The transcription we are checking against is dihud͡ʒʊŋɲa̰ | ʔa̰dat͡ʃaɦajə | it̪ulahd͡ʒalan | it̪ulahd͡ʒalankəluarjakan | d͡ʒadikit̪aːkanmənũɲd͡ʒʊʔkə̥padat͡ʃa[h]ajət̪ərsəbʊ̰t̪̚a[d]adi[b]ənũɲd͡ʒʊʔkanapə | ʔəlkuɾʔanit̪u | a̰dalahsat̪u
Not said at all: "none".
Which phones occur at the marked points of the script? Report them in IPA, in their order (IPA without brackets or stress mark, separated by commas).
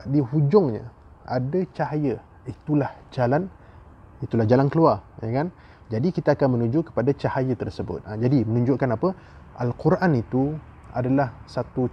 h, d͡ʒ, m